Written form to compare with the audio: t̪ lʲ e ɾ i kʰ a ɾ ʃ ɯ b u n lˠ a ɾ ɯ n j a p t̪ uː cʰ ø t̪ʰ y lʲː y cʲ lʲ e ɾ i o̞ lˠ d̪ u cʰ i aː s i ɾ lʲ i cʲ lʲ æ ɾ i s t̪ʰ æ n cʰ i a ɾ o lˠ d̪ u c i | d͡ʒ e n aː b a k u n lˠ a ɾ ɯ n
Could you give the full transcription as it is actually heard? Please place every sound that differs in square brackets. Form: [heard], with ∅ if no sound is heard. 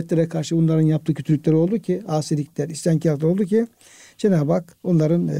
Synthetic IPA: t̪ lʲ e ɾ [ɛ] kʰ a ɾ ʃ ɯ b u n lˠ a ɾ ɯ n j a p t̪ [ɯː] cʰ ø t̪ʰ y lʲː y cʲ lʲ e ɾ i o̞ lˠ d̪ u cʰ i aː s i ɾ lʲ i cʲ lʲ æ ɾ i s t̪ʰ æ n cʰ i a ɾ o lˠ d̪ u c i | d͡ʒ e n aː b a k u n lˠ a ɾ ɯ n